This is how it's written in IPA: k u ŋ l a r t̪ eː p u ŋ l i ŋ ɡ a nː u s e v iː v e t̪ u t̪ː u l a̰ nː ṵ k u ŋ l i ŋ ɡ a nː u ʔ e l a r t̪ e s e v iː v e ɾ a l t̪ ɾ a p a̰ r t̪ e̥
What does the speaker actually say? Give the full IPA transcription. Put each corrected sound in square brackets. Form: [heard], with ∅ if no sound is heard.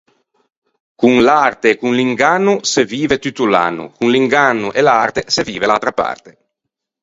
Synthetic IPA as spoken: k u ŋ l a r t̪ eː [k] u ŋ l i ŋ ɡ a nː u s e v iː v e t̪ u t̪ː u l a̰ nː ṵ k u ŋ l i ŋ ɡ a nː u ʔ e l a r t̪ e s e v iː v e [l] a l t̪ ɾ a p a̰ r t̪ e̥